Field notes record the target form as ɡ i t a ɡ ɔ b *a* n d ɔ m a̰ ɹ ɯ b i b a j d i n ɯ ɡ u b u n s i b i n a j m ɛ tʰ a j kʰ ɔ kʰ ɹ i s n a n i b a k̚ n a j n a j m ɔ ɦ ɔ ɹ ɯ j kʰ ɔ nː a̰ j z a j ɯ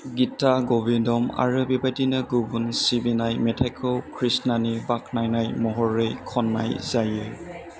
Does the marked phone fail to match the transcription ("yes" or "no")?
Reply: yes